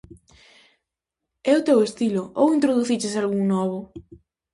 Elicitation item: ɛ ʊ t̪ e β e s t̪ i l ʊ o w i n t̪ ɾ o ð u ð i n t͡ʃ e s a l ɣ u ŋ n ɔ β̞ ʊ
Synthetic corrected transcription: ɛ ʊ t̪ e w e s t̪ i l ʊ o w i n t̪ ɾ o ð u θ i t͡ʃ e s a l ɣ u ŋ n ɔ β̞ ʊ